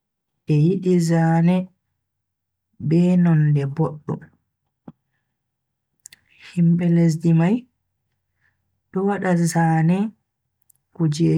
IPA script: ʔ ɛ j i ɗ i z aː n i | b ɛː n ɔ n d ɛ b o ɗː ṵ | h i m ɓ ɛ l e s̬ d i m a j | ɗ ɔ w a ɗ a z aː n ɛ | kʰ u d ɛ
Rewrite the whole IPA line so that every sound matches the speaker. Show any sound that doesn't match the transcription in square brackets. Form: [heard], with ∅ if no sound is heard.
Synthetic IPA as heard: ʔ ɛ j i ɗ i z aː n [ɛ] | b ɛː n ɔ n d ɛ b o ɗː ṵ | h i m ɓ ɛ l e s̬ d i m a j | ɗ ɔ w a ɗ a z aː n ɛ | [k] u [d͡ʒ] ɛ